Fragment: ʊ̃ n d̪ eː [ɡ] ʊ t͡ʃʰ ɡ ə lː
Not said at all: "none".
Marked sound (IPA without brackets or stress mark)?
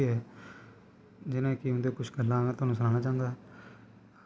k